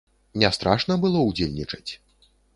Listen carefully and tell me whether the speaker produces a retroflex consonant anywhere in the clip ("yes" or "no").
yes